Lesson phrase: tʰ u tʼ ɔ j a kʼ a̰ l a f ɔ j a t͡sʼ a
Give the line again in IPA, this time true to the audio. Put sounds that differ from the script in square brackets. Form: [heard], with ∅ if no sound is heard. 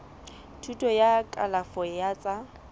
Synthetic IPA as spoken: tʰ u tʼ ɔ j a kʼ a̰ l a f ɔ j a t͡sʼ a